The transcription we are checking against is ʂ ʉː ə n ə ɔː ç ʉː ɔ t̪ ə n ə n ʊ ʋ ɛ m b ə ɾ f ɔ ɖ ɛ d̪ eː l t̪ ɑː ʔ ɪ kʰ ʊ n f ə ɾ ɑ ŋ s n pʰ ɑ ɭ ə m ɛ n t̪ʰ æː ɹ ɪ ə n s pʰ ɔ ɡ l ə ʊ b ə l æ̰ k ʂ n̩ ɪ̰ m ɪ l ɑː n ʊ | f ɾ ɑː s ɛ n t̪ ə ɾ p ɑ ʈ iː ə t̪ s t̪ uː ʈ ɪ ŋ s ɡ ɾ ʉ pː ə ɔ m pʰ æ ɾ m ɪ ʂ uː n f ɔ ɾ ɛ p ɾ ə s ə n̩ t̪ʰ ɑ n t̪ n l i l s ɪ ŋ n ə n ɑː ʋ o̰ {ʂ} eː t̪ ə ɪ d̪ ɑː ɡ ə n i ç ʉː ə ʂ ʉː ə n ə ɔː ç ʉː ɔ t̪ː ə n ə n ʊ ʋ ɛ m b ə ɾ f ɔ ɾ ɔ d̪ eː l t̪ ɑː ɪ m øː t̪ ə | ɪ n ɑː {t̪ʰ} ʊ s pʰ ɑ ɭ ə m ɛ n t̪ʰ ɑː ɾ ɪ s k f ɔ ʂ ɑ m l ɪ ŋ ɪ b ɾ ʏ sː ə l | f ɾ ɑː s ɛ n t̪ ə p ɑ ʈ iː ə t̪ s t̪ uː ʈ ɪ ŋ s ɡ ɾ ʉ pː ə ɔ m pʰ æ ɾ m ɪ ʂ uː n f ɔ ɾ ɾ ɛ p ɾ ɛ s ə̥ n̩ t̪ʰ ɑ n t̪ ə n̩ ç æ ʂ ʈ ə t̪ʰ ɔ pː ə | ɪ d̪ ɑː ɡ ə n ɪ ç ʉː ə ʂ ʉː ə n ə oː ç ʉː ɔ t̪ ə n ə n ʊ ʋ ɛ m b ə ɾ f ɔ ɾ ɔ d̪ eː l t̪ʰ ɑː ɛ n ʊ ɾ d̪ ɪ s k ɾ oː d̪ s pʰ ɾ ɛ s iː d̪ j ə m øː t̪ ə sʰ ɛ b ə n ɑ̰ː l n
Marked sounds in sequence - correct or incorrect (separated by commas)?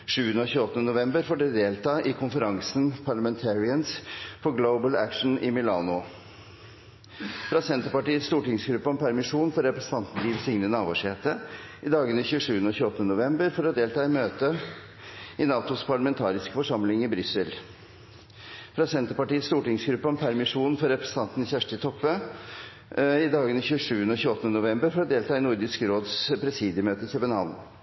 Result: correct, incorrect